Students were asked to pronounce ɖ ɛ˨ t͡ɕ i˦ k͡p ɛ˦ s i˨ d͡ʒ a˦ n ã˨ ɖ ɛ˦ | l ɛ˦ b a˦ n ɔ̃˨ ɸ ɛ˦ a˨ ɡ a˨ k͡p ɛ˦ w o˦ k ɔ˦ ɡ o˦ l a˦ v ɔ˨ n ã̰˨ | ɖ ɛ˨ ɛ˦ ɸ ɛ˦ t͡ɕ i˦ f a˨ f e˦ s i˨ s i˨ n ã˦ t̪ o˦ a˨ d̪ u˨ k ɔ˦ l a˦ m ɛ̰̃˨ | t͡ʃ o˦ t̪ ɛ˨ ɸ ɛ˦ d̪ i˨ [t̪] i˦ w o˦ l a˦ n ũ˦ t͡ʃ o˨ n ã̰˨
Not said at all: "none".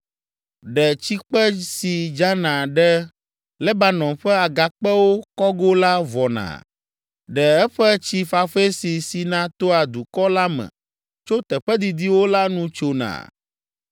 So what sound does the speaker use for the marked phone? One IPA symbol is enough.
d̪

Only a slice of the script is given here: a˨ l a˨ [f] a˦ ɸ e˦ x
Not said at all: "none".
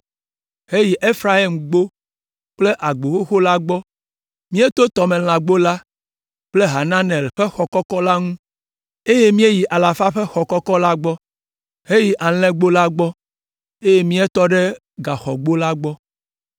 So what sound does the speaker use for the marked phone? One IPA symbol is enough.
f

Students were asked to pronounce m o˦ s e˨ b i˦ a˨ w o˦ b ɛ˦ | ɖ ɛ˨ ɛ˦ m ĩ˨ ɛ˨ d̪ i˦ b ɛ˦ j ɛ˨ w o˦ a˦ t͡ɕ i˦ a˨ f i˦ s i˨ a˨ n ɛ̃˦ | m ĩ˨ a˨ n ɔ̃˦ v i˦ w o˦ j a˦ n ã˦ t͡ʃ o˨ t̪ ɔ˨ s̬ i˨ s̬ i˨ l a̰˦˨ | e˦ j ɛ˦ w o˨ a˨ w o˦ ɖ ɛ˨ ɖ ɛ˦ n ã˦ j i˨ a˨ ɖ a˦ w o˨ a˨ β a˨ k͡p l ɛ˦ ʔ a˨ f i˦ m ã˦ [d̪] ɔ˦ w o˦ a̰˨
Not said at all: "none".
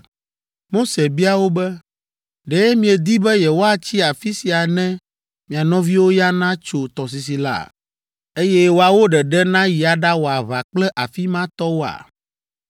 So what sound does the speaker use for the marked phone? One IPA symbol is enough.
t̪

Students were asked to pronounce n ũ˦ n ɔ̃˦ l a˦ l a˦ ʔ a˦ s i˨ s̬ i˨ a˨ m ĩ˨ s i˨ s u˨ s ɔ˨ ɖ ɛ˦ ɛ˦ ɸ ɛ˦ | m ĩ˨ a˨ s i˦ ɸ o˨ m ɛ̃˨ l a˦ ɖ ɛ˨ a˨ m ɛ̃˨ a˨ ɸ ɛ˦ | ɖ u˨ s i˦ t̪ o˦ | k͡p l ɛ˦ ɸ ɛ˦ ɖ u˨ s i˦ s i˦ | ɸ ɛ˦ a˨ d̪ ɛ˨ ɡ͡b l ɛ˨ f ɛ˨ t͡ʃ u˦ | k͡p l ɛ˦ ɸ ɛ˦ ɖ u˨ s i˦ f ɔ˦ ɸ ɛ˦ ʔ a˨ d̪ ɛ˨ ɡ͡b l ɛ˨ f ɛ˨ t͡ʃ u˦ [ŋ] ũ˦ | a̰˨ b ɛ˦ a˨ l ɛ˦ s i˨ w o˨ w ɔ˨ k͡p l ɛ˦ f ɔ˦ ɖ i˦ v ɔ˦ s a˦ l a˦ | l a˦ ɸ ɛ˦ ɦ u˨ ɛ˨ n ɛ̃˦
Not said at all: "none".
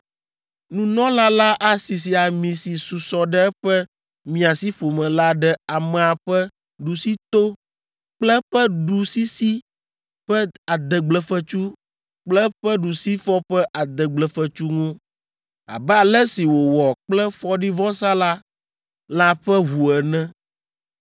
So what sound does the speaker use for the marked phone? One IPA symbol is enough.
ŋ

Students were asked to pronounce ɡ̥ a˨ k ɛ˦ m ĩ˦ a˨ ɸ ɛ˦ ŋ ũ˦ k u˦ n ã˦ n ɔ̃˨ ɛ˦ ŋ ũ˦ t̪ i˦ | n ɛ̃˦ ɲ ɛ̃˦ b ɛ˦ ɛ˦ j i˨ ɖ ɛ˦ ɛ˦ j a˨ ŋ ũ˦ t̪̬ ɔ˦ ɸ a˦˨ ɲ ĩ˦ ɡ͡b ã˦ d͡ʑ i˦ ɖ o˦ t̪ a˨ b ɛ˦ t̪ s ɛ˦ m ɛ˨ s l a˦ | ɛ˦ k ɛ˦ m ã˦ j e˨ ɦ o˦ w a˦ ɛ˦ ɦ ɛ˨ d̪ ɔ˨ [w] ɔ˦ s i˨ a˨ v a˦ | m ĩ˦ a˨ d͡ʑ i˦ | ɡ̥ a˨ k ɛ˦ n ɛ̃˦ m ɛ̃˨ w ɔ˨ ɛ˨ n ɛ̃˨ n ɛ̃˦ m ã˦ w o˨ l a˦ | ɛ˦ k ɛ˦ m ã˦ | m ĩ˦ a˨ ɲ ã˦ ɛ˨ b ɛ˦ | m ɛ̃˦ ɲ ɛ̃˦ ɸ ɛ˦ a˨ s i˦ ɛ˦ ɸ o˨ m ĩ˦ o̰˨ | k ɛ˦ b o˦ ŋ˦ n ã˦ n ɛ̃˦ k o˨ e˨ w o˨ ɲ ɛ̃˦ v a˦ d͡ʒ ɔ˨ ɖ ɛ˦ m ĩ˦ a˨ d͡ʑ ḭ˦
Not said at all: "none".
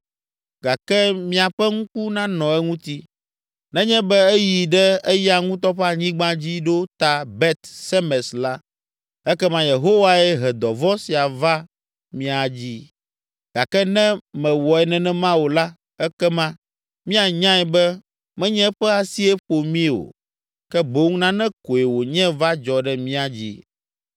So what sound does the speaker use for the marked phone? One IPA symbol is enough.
v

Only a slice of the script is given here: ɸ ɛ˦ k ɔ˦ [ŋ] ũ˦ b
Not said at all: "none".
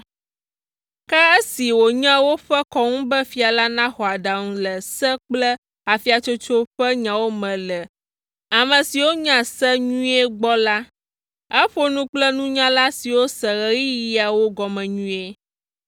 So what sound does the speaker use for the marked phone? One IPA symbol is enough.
ŋ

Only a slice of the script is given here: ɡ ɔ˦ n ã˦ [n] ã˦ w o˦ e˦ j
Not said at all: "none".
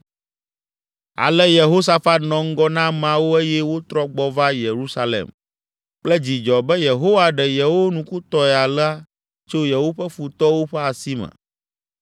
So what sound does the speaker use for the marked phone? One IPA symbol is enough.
m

